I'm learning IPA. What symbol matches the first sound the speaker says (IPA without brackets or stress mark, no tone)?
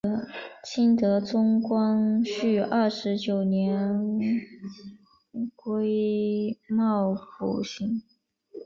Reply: t͡ɕʰ